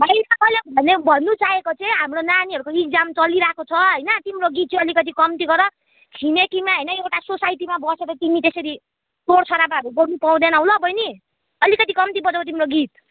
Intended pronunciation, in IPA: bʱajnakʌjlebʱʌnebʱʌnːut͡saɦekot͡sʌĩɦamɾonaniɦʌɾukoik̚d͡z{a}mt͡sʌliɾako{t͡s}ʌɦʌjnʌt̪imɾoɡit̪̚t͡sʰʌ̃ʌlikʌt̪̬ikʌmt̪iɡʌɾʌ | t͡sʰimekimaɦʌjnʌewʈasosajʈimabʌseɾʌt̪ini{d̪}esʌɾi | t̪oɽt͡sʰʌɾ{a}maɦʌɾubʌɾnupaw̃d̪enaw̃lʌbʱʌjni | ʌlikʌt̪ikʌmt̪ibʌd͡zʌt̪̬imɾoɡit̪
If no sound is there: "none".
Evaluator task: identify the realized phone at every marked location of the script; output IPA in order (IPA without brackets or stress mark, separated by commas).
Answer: a, t͡sʰ, t̪, a